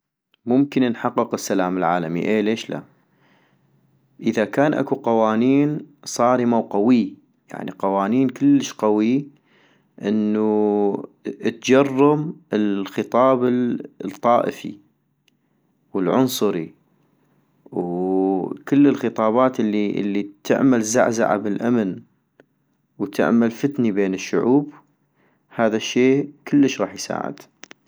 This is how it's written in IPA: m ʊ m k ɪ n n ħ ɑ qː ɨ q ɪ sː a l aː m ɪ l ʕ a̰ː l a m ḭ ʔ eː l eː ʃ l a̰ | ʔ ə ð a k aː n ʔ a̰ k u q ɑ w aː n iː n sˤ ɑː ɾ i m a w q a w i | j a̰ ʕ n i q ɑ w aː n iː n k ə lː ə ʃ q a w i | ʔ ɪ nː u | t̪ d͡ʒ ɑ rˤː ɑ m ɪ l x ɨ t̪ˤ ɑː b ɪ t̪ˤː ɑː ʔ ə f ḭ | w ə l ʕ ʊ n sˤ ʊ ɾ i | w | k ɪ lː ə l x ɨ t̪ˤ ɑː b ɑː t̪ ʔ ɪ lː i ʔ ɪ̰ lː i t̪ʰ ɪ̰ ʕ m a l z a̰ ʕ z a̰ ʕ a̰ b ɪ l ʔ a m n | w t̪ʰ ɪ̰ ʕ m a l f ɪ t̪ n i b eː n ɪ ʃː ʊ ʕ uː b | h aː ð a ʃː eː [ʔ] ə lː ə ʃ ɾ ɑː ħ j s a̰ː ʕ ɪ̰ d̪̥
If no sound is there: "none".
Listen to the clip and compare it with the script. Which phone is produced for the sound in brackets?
k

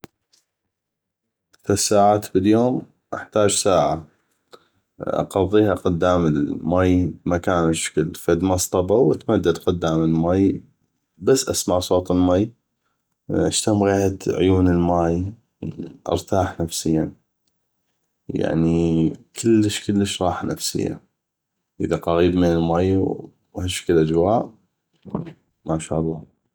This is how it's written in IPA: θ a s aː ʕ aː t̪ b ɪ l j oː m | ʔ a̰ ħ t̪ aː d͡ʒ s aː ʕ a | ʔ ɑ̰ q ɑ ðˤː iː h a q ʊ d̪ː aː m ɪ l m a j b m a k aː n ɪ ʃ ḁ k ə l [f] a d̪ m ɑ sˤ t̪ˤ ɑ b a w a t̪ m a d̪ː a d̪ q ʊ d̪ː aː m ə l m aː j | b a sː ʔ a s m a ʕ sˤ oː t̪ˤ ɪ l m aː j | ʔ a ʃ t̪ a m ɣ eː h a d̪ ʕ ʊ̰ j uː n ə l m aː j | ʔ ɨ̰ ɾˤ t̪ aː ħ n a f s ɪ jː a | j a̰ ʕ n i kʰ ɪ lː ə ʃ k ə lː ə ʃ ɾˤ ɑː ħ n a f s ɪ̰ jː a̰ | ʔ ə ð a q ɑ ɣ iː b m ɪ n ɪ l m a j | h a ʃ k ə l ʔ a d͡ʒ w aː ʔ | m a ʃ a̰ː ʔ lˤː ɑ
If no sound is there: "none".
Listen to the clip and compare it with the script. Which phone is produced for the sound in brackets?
f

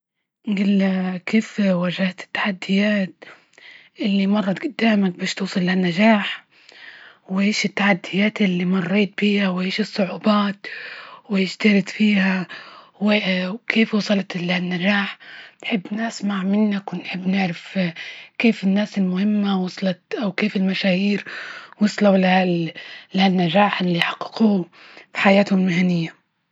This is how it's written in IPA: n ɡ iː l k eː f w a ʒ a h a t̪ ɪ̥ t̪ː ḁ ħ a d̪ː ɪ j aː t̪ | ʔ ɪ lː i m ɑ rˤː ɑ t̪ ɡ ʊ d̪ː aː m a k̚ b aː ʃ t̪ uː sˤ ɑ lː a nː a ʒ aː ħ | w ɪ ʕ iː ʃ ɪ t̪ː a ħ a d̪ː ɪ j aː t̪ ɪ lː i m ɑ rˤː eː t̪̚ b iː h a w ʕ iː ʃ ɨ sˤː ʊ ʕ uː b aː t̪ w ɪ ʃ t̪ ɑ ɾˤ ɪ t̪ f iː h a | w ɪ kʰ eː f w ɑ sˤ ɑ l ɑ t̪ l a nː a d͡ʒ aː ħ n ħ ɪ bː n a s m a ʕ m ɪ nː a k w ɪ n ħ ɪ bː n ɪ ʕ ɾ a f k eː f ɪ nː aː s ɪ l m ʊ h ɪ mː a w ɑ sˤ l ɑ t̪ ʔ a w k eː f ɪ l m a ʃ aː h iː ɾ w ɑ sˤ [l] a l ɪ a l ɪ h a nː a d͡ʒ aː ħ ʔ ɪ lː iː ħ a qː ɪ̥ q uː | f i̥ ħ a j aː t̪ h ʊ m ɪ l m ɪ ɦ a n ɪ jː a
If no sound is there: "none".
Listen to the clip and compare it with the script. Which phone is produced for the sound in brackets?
l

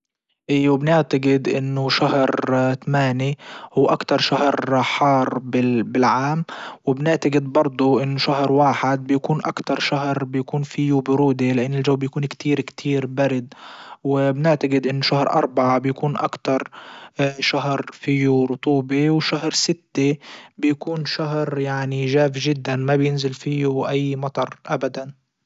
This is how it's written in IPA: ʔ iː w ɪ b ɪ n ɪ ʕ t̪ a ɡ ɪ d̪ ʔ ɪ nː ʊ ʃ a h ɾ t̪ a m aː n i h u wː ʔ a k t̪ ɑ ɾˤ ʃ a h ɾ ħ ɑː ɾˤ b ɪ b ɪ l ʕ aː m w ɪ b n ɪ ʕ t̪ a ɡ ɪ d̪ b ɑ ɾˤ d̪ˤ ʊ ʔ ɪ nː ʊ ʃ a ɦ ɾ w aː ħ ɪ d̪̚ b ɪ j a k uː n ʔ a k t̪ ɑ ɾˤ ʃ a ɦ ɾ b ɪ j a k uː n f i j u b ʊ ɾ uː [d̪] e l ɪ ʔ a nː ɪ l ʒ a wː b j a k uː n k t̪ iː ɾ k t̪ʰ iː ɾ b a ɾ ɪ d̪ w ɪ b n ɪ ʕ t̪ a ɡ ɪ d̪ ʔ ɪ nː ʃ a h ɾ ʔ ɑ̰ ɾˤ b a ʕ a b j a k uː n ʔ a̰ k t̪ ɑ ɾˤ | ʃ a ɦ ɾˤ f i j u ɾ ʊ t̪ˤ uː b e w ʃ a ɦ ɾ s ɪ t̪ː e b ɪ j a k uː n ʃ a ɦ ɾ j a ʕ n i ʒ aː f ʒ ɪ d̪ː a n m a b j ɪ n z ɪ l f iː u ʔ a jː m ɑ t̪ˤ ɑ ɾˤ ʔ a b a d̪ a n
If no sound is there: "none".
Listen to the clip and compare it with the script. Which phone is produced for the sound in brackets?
d̪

